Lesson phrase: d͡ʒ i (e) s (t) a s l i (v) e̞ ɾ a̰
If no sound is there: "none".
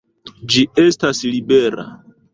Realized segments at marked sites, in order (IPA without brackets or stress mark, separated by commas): e, t, b